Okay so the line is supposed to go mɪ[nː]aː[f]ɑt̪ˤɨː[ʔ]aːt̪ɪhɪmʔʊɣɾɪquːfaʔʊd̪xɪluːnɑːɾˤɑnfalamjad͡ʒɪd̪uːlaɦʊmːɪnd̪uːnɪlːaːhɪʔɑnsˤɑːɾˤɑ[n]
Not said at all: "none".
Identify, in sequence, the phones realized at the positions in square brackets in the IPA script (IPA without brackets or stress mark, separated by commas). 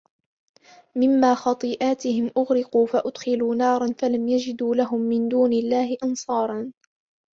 mː, x, ʔ, n